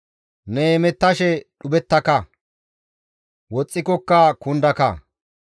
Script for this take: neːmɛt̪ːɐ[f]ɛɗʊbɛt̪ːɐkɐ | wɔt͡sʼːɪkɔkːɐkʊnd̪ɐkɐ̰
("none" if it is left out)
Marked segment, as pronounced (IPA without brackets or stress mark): ʃ